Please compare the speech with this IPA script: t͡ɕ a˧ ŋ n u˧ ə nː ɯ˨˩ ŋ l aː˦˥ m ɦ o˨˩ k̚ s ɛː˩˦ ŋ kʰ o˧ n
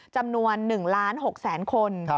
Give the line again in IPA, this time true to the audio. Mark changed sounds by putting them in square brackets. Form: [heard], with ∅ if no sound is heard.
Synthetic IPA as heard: t͡ɕ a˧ [m] n u˧ ə nː ɯ˨˩ ŋ l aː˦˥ [n] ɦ o˨˩ k̚ s ɛː˩˦ [n] kʰ o˧ n